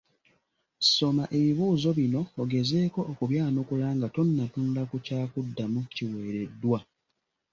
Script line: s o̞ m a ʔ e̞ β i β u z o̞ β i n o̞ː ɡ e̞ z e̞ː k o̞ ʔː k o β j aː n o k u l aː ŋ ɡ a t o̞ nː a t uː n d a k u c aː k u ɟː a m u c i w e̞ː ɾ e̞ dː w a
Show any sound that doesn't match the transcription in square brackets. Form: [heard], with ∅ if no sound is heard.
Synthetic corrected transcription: s o̞ m a ʔ e̞ β i β [uː] z o̞ β i n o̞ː ɡ e̞ z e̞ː k o̞ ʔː k [u] β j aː n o k u l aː ŋ ɡ a t o̞ nː a t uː n d a k u c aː k u [dː] a m u c i w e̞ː ɾ e̞ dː w a